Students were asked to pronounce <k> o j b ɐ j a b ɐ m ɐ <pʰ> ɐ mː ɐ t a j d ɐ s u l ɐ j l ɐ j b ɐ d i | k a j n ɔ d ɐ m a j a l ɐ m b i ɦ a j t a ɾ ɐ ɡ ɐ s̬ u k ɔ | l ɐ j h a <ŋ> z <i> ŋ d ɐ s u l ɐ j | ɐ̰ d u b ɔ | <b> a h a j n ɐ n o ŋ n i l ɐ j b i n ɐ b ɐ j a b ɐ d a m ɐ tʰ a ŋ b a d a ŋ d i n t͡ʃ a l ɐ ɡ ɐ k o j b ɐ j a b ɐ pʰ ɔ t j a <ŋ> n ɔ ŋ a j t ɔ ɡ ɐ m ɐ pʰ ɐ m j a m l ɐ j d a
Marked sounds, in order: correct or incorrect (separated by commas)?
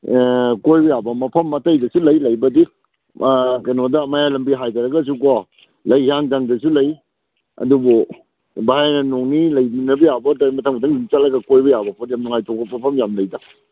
correct, correct, correct, incorrect, correct, incorrect